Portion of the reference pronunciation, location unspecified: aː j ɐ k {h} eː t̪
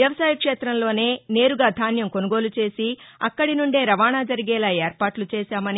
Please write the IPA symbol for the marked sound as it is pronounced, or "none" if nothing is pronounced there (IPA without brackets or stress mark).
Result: ʂ